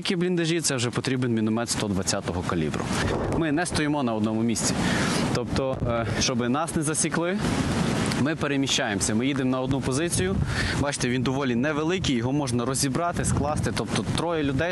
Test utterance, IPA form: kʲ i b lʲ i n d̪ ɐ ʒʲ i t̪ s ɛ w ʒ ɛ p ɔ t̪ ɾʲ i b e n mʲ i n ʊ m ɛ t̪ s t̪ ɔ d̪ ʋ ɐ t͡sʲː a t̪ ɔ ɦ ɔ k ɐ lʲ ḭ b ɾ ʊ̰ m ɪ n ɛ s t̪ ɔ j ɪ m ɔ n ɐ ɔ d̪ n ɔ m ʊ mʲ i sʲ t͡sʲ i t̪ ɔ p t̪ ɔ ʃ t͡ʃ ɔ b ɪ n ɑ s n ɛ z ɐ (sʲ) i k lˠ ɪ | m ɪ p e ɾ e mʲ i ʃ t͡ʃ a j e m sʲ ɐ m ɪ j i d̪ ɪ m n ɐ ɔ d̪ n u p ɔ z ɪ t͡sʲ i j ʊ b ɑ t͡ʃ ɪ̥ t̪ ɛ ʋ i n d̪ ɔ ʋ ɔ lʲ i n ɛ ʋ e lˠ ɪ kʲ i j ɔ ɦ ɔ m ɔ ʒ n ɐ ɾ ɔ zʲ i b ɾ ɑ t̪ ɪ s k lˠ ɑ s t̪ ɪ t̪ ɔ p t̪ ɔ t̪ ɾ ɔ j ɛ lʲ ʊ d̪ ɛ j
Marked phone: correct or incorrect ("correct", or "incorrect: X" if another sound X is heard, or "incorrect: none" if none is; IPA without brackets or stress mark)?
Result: correct